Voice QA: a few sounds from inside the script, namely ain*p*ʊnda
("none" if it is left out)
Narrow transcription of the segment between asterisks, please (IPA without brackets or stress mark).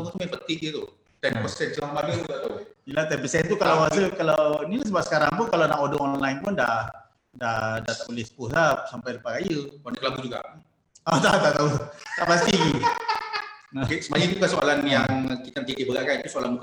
p